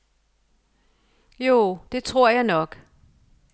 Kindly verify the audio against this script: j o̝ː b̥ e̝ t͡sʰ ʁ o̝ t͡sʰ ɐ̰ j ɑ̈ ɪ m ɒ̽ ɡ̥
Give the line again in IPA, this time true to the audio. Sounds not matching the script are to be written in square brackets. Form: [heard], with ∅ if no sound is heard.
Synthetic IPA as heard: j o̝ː [d̥] e̝ t͡sʰ ʁ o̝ [∅] ɐ̰ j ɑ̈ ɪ [n] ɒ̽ ɡ̥

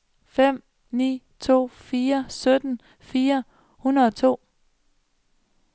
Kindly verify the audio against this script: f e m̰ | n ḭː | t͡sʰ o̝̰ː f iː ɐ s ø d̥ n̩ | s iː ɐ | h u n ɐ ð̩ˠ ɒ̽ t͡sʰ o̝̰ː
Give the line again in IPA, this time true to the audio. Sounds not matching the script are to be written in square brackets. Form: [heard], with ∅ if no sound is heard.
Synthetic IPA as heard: f e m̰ | n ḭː | t͡sʰ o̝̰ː f iː ɐ s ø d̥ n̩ | [f] iː ɐ | h u n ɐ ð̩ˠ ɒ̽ t͡sʰ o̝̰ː

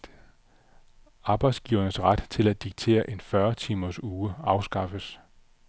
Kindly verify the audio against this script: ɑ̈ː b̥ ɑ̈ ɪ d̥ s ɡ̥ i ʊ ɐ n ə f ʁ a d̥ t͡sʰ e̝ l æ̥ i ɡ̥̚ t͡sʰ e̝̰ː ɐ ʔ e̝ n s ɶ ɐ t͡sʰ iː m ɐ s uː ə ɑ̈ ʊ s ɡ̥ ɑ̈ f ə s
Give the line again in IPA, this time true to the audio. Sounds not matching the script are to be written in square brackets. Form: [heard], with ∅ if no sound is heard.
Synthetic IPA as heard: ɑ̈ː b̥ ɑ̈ ɪ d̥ s ɡ̥ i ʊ ɐ n ə [s] ʁ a d̥ t͡sʰ e̝ l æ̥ i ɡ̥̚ t͡sʰ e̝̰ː ɐ ʔ e̝ n [f] ɶ ɐ t͡sʰ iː m ɐ s uː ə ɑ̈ ʊ s ɡ̥ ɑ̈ f ə s

